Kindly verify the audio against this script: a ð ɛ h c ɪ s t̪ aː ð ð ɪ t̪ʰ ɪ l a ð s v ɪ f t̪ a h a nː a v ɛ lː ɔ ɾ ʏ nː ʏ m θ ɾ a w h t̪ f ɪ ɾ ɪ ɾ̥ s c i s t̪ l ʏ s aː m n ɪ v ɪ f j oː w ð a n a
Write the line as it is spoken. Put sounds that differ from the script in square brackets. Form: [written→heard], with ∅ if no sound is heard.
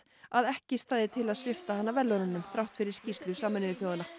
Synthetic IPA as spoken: a ð ɛ h c ɪ s t̪ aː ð ð ɪ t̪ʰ ɪ l a ð s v ɪ f t̪ a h a nː a v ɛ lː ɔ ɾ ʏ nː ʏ m θ ɾ a w h t̪ f ɪ ɾ ɪ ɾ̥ s c i s t̪ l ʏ s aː m n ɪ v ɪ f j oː w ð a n a